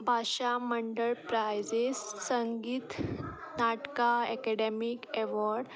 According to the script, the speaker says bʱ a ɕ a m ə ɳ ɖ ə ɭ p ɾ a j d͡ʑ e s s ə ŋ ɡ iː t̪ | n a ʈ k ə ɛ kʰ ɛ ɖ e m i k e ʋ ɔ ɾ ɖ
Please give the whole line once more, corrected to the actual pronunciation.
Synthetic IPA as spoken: bʱ a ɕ a m ə ɳ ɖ ə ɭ p ɾ a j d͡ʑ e s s ə ŋ ɡ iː t̪ | n a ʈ k a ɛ k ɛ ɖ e m i k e ʋ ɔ ɾ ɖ